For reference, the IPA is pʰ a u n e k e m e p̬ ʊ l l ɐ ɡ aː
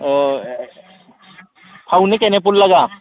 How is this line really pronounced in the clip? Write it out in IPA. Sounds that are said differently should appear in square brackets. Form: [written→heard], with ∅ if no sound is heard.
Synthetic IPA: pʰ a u n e k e [m→n] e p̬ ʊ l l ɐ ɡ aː